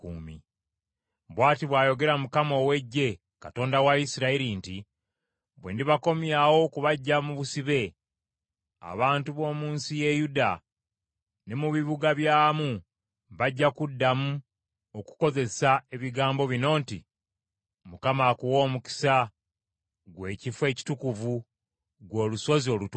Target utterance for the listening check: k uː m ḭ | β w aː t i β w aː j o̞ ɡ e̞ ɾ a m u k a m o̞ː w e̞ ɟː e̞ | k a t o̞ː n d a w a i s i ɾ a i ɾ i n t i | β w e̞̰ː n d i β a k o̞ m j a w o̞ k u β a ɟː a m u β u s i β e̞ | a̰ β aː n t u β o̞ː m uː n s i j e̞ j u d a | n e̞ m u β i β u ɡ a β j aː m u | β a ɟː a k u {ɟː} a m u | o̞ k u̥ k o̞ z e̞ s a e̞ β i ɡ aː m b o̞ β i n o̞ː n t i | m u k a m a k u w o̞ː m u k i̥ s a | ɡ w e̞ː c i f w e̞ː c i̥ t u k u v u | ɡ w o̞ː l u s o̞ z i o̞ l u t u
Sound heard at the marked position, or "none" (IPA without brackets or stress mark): dː